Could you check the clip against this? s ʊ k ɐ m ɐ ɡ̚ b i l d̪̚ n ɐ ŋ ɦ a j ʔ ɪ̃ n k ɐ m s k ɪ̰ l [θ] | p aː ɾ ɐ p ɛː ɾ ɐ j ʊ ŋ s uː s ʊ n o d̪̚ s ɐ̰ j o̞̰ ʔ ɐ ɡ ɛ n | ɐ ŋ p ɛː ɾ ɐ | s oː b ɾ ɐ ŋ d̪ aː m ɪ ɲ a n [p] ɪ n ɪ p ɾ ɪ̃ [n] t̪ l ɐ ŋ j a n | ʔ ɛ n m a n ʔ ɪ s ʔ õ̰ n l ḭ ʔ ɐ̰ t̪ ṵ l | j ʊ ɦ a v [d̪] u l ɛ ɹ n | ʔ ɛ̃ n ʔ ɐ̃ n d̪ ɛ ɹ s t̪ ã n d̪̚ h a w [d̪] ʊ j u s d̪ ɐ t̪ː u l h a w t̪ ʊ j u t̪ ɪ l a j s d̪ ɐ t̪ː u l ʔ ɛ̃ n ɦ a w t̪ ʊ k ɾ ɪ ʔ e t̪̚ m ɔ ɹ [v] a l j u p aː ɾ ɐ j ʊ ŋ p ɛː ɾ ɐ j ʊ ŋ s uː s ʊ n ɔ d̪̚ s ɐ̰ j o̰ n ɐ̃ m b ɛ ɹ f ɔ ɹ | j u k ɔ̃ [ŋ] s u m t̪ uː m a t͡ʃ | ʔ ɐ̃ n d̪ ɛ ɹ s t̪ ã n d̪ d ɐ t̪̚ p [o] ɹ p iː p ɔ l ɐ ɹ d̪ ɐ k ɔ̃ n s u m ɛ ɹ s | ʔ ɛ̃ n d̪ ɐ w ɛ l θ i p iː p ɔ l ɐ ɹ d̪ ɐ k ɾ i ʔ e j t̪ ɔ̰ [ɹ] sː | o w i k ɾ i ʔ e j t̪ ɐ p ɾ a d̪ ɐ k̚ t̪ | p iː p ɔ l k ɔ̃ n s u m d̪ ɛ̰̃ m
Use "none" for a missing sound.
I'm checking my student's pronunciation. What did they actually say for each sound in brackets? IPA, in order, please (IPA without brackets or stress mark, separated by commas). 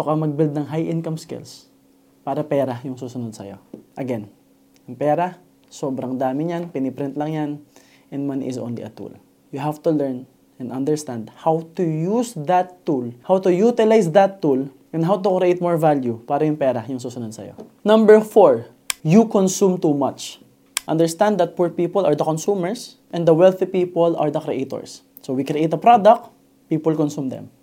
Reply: s, p, n, t̪, t̪, v, n, u, ɹ